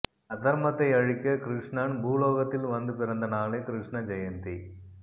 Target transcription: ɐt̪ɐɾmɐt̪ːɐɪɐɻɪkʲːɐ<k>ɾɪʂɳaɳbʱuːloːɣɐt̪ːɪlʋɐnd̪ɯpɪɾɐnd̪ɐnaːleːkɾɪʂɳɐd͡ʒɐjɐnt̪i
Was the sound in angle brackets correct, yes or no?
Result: yes